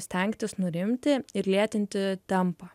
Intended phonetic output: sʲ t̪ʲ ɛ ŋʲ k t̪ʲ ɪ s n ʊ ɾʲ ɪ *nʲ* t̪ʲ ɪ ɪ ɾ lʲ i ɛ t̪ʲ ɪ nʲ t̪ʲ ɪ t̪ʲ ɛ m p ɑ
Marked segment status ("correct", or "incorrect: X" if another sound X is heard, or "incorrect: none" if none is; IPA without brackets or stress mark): incorrect: mʲ